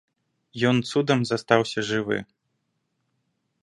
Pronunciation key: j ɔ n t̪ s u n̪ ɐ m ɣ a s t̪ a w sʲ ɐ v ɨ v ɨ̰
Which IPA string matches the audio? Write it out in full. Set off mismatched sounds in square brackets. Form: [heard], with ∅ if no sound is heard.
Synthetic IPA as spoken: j ɔ n t̪ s u [d̪] ɐ m [z] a s t̪ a w sʲ ɐ [ʐ] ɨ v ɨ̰